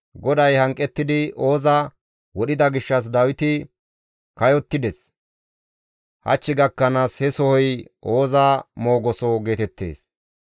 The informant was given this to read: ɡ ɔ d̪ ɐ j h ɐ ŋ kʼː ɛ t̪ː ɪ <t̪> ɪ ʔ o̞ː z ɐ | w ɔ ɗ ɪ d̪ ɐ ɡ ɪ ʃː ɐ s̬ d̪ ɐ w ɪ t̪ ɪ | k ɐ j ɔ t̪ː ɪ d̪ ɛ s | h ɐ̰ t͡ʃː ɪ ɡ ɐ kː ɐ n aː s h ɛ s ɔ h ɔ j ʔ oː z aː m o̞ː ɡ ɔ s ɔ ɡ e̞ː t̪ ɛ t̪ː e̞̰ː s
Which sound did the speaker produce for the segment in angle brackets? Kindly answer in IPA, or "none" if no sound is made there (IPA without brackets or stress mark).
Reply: d̪